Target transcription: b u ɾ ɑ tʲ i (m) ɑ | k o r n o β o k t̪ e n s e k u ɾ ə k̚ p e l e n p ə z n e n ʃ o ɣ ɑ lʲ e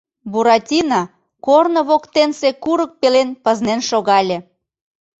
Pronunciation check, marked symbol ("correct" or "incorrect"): incorrect